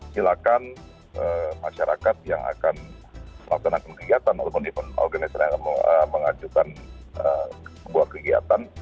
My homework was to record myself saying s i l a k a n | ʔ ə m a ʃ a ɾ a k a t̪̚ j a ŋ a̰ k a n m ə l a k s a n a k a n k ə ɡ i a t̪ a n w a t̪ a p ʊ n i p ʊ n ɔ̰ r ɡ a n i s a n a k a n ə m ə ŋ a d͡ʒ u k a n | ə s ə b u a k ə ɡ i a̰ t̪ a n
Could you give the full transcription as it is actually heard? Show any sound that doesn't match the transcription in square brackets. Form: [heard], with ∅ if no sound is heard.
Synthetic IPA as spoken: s i l a k a n | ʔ ə m a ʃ a ɾ a k a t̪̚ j a ŋ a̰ k a n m ə l a k s a n a k a n k ə ɡ i a t̪ a n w a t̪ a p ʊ n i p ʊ n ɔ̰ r ɡ a n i s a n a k a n ə m ə ŋ a d͡ʒ u k a n | ə s ə b u a k ə ɡ i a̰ t̪ a n